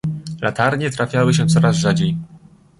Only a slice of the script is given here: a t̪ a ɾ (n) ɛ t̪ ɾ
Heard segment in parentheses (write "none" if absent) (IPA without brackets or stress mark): ɲ